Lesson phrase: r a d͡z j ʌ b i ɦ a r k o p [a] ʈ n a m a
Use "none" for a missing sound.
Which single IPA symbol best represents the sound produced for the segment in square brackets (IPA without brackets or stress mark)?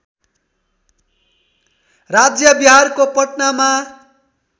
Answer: ʌ